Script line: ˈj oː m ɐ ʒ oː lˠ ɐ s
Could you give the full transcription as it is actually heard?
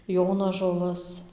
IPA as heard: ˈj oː n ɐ ʒ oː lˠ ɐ s